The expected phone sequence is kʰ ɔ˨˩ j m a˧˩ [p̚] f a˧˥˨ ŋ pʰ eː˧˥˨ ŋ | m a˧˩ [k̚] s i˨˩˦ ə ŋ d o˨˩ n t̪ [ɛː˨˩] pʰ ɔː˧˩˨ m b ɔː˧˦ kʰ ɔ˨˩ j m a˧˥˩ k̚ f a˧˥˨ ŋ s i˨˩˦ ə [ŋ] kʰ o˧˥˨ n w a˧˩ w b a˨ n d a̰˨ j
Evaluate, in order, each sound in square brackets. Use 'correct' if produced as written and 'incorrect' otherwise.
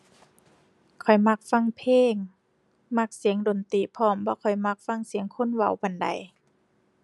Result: incorrect: k̚, correct, incorrect: iː˨˩, correct

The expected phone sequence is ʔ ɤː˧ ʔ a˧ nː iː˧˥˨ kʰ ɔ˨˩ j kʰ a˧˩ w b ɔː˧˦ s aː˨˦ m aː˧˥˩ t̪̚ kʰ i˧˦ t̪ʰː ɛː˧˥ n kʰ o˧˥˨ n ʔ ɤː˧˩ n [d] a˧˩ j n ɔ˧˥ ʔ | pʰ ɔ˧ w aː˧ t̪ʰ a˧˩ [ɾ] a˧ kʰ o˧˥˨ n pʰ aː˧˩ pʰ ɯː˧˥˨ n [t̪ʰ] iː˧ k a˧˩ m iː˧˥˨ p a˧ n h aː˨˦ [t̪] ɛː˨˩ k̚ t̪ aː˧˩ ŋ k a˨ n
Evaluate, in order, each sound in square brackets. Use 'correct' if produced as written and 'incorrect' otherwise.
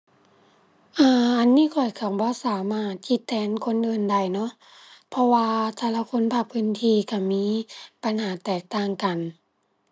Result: correct, incorrect: l, correct, correct

